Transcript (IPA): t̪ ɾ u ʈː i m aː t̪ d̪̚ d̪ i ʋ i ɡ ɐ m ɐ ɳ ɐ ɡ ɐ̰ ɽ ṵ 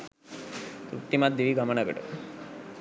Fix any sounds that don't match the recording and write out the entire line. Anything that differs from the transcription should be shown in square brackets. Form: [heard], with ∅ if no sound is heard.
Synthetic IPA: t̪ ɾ u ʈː i m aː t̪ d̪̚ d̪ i ʋ i ɡ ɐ m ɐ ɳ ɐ ɡ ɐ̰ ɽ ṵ